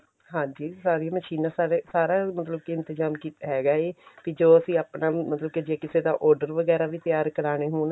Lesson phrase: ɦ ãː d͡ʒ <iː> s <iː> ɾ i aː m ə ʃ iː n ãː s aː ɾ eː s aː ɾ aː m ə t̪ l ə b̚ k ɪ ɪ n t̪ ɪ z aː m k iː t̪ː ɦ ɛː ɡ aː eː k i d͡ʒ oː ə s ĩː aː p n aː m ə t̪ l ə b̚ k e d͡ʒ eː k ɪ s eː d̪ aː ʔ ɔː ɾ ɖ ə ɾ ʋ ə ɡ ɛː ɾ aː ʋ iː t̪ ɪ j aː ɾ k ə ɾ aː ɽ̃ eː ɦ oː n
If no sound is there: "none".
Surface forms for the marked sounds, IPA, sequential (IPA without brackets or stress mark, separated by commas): iː, aː